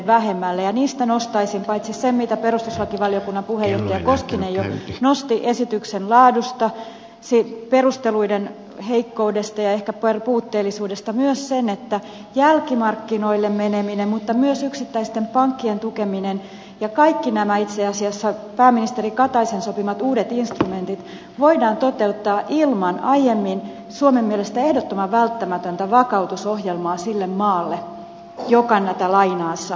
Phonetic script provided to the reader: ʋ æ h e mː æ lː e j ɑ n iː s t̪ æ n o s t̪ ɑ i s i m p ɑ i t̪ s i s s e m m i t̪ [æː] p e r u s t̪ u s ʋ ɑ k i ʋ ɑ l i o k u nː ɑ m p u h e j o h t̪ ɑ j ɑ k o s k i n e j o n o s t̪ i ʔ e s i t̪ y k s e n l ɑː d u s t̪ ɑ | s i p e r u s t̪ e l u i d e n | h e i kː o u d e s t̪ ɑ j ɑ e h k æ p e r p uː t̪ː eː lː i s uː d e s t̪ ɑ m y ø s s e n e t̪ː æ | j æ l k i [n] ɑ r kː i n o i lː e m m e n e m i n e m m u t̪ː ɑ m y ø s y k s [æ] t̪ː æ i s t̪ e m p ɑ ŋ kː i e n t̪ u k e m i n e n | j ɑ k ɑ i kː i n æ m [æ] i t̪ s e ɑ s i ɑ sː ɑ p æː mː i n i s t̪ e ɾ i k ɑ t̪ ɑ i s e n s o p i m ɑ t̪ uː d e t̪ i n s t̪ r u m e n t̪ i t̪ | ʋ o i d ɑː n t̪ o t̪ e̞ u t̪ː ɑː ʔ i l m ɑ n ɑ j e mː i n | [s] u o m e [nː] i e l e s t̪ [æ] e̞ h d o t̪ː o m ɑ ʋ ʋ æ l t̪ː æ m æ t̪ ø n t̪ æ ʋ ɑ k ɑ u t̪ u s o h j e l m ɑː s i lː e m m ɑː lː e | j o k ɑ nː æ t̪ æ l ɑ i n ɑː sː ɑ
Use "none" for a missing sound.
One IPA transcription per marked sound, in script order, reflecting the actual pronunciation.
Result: æ, m, i, æ, s, mː, æ

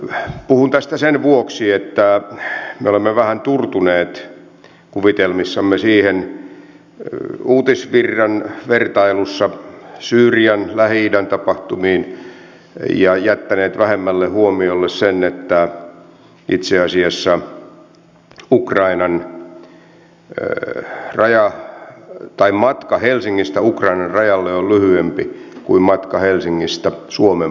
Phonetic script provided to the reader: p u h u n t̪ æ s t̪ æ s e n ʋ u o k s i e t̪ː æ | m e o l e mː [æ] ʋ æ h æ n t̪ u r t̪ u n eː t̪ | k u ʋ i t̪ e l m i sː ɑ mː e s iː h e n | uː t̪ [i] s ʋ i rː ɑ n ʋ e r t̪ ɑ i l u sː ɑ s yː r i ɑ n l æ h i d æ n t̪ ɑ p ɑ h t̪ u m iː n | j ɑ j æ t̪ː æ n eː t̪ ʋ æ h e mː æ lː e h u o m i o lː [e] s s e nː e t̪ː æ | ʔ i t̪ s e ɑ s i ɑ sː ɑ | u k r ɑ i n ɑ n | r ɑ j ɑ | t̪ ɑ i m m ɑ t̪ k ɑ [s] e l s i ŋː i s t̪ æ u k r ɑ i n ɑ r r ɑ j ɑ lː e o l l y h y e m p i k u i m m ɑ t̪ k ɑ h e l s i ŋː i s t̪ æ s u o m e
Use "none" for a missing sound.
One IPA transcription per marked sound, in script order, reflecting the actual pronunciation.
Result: e, i, e, h

